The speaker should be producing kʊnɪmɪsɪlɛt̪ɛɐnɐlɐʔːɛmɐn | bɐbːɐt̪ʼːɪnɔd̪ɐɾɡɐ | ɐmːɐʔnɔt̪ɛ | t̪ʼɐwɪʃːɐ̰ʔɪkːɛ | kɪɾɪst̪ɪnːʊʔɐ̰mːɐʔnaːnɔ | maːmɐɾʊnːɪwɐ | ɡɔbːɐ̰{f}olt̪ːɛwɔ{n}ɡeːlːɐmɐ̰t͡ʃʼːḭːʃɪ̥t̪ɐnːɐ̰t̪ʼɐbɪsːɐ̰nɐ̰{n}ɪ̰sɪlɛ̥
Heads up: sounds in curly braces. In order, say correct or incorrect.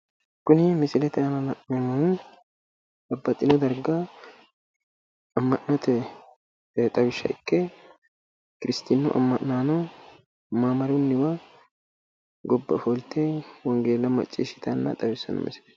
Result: correct, incorrect: ŋ, incorrect: m

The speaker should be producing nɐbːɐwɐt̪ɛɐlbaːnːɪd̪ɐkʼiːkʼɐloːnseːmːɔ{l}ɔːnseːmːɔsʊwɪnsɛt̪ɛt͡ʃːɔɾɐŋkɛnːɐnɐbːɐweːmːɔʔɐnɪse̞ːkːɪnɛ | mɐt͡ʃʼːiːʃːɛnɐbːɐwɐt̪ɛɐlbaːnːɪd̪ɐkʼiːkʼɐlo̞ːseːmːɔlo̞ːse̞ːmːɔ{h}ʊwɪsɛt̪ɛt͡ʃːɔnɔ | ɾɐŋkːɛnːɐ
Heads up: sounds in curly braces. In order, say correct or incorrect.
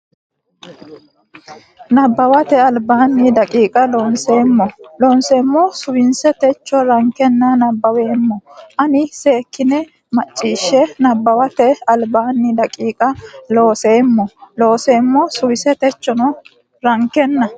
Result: correct, incorrect: s

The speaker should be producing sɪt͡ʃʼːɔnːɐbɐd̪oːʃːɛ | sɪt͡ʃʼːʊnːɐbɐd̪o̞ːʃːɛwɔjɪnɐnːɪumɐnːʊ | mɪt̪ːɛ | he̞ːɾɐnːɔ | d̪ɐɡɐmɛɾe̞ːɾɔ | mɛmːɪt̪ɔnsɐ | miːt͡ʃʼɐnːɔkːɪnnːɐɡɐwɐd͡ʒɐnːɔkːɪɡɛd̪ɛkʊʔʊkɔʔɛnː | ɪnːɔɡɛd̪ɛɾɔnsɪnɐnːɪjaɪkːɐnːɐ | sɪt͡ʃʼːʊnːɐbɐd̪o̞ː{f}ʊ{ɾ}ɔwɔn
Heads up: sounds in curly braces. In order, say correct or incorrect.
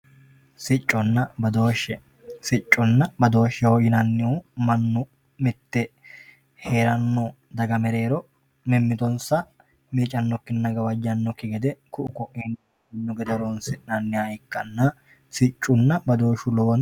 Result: incorrect: ʃ, incorrect: l

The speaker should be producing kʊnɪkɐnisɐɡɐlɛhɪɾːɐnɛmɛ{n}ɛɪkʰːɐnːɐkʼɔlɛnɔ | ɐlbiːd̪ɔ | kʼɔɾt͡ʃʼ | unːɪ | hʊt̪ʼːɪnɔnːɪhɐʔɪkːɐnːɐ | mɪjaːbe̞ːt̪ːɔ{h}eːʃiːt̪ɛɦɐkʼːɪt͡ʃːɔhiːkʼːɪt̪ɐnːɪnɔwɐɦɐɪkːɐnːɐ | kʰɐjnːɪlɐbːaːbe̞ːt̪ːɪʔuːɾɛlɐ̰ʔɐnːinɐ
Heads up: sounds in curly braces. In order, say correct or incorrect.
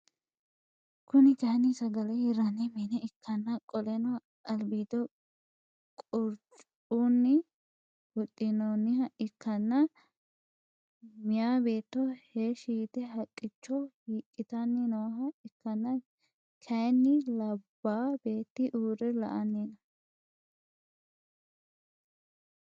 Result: correct, correct

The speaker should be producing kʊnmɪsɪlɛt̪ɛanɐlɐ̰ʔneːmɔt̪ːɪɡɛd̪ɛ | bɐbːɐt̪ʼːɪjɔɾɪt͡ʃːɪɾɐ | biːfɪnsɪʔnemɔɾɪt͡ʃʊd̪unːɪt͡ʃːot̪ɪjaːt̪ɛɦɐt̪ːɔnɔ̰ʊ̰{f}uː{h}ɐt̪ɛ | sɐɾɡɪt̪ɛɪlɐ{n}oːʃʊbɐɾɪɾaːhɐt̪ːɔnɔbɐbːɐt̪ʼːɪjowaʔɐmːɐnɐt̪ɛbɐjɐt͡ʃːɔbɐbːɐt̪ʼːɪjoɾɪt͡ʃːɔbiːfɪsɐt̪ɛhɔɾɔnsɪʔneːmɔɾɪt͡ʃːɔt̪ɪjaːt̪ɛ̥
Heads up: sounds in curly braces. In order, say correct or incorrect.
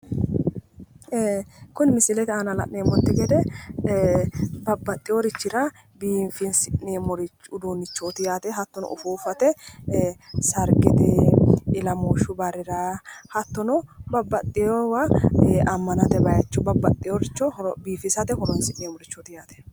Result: correct, incorrect: f, incorrect: m

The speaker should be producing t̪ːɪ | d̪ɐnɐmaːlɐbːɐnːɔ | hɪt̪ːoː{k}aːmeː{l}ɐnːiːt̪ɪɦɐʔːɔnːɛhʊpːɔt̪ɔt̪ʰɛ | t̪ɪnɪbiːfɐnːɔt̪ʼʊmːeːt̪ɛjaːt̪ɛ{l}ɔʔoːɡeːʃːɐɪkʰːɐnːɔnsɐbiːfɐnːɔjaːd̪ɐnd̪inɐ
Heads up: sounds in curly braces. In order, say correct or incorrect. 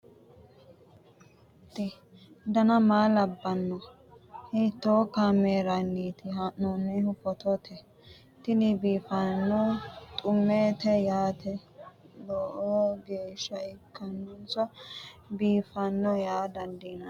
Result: correct, incorrect: ɾ, correct

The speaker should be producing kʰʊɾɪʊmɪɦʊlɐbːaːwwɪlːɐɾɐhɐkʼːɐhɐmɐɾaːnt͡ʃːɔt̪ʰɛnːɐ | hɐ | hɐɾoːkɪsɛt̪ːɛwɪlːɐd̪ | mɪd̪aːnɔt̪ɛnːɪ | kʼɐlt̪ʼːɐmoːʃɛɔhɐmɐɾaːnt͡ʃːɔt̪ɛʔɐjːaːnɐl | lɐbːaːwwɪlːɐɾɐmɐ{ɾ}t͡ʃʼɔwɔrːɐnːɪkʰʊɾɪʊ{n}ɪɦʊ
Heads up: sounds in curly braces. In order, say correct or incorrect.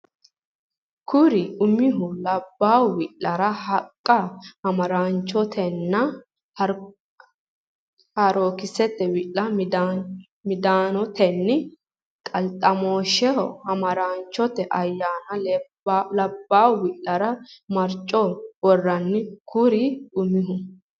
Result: correct, incorrect: m

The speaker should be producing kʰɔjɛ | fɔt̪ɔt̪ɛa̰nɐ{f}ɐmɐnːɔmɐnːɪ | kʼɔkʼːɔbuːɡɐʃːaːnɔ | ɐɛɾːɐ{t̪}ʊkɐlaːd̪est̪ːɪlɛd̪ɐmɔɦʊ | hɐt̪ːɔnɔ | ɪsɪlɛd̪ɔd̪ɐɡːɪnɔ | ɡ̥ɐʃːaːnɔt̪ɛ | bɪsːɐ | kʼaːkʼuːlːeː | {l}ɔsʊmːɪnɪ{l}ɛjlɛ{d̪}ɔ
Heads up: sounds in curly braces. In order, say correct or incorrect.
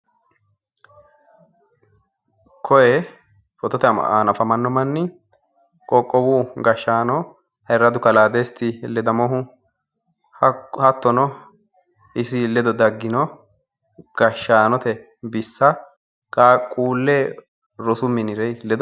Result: correct, incorrect: d̪, incorrect: ɾ, incorrect: ɾ, correct

